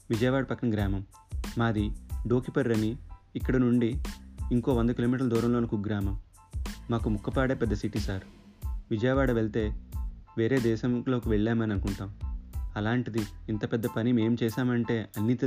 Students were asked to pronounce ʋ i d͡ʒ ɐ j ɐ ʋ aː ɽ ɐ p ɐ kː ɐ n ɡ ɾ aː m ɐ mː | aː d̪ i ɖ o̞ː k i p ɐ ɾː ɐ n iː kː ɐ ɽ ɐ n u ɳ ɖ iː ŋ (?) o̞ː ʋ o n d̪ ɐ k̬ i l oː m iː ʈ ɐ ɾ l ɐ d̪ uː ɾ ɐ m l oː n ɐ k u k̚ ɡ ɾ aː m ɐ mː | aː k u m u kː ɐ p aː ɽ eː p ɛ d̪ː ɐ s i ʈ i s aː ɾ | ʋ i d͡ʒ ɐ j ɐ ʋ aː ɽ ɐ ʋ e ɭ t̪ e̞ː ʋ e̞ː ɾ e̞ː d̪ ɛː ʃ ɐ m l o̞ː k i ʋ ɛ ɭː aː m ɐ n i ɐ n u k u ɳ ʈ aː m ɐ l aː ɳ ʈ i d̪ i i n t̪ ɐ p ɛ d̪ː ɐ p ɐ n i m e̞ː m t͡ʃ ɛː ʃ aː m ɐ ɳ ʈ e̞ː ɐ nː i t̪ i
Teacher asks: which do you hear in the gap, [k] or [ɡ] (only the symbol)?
k